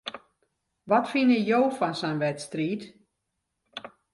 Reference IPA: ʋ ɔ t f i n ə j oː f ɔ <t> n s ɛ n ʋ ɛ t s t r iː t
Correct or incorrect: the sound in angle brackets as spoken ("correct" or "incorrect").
incorrect